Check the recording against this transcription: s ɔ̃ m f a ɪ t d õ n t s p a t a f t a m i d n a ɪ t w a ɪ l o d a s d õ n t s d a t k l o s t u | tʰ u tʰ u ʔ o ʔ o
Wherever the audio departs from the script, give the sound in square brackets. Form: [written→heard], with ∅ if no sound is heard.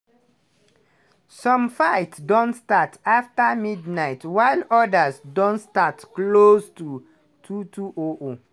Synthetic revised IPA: s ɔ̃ m f a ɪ t d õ n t s [p→t] a t a f t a m i d n a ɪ t w a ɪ l [o→ɔ] d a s d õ n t s [d→t] a t k l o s t u | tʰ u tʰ u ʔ o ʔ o